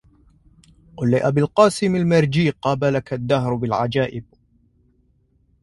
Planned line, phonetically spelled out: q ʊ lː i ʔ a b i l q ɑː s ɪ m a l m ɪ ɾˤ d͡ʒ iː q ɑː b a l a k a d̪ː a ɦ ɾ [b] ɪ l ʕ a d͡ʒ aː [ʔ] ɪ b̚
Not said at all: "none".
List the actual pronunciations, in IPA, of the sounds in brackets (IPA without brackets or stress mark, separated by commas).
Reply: b, ʔ